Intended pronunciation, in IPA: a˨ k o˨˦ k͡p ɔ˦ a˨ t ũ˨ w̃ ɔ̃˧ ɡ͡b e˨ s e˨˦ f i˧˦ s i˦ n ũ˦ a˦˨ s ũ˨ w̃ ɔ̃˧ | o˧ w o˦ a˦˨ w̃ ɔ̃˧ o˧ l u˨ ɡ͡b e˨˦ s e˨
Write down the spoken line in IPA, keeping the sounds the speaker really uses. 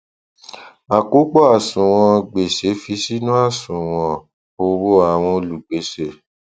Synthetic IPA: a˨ k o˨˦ k͡p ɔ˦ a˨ s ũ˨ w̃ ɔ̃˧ ɡ͡b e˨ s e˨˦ f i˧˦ s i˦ n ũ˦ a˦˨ s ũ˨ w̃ ɔ̃˧ | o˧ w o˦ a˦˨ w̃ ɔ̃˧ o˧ l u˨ ɡ͡b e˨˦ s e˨